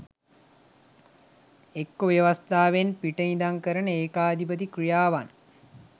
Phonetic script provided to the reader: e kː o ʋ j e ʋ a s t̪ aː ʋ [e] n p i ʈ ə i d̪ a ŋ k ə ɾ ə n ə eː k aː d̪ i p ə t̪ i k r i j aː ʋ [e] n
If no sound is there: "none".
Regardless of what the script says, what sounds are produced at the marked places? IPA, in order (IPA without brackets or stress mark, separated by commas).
e, a